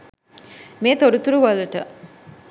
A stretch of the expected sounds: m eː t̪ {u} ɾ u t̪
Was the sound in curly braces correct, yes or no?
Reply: no